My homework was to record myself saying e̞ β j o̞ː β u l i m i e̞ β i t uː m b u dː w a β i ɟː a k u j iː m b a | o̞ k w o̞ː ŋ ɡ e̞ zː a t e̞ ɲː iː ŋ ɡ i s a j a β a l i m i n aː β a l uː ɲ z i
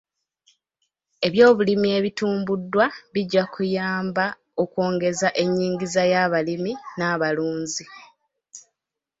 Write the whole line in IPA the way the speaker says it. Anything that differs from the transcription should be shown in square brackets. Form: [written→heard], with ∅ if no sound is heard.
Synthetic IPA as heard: e̞ β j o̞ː β u l i m i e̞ β i t uː m b u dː w a β i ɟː a k u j [iː→aː] m b a | o̞ k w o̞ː ŋ ɡ e̞ [zː→z] a [t→ʔ] e̞ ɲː iː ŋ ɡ i [s→z] a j a β a l i m i n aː β a l uː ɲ z i